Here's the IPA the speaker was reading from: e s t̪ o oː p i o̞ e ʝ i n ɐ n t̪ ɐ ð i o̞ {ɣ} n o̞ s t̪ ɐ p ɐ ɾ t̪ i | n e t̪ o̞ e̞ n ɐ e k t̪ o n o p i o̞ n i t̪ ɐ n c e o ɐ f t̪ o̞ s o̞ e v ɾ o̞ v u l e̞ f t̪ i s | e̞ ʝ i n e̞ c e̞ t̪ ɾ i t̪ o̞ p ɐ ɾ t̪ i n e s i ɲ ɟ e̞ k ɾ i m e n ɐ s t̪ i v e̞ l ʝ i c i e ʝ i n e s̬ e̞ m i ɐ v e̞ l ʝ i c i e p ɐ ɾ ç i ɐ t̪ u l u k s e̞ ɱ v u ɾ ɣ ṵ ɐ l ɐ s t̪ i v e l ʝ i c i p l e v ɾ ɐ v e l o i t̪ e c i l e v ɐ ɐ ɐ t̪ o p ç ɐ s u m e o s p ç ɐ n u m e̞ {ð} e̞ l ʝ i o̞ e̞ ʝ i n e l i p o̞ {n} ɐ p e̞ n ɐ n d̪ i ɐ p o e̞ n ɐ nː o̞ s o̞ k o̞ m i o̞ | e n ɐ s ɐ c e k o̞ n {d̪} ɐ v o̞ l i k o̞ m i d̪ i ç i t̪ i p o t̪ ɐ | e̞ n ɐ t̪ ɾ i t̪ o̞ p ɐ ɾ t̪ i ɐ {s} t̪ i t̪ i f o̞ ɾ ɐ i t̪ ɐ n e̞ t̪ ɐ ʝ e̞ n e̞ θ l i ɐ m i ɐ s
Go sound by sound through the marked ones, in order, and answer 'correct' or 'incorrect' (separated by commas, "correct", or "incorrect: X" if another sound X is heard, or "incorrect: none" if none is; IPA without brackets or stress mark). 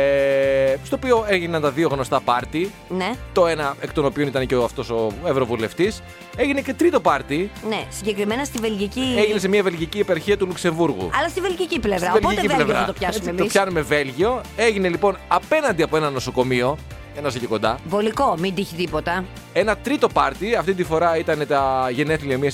correct, incorrect: v, correct, correct, incorrect: f